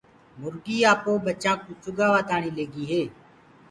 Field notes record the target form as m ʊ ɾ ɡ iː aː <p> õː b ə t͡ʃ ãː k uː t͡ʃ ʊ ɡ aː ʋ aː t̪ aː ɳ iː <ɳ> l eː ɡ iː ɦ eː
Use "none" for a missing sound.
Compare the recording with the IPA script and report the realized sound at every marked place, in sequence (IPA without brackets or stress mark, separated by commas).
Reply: p, none